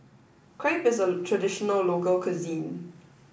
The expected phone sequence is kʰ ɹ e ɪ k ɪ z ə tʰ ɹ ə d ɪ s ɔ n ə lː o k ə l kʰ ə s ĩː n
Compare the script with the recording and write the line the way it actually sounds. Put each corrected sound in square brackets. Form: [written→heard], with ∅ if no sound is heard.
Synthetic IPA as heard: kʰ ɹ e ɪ [k→p] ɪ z ə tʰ ɹ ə d ɪ [s→ʃ] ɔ n ə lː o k ə l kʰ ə [s→z] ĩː n